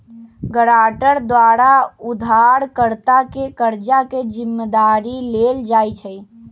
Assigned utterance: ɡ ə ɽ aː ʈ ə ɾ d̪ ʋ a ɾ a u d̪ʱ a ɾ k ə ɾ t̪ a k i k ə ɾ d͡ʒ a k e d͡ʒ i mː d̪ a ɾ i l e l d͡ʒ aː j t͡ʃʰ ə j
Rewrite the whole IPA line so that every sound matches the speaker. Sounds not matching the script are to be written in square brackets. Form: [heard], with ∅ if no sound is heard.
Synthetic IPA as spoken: ɡ ə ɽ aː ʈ ə ɾ d̪ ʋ a ɾ a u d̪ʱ a ɾ k ə ɾ t̪ a k [e] k ə ɾ d͡ʒ a k e d͡ʒ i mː d̪ a ɾ i l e l d͡ʒ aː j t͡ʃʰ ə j